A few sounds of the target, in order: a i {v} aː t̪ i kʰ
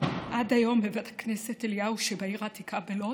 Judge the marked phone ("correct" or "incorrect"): incorrect